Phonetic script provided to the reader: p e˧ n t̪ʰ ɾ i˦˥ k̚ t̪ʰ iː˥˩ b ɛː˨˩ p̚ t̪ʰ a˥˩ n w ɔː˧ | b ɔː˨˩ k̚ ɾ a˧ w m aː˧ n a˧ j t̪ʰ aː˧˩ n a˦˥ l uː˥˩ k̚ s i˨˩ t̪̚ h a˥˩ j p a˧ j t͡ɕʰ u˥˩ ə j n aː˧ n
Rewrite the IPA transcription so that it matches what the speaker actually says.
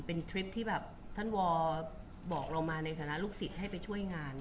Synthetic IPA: p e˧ n t̪ʰ ɾ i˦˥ p̚ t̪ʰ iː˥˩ b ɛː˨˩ p̚ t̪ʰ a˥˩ n w ɔː˧ | b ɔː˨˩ k̚ ɾ a˧ w m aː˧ n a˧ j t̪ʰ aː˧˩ n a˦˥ l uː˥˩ k̚ s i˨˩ t̪̚ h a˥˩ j p a˧ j t͡ɕʰ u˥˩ ə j ŋ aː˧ n